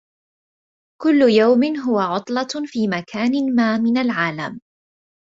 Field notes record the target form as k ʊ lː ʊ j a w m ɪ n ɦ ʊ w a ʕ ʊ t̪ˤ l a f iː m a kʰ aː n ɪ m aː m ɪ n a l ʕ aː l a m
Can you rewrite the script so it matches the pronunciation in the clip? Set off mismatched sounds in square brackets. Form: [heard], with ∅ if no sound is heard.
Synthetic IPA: k ʊ lː ʊ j a w m ɪ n ɦ ʊ w a ʕ ʊ t̪ˤ l [ɑ] f iː m a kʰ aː n ɪ m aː m ɪ n a l ʕ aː l a m